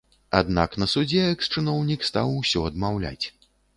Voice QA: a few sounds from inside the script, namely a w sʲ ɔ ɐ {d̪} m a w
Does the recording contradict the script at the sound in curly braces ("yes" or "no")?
no